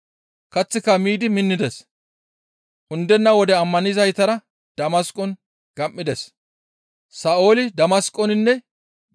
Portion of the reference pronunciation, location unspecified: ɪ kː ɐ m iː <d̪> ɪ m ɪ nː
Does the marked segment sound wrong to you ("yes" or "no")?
no